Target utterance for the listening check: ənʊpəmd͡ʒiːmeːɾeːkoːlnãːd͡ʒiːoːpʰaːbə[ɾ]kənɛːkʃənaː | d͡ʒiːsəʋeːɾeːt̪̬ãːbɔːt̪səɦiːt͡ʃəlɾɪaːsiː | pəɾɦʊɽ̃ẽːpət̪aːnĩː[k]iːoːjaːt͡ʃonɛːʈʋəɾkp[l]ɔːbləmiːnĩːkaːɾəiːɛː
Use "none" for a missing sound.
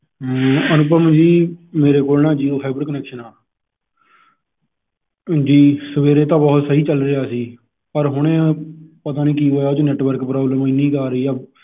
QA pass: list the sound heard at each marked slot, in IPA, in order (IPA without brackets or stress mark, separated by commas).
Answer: ɾ, k, ɾ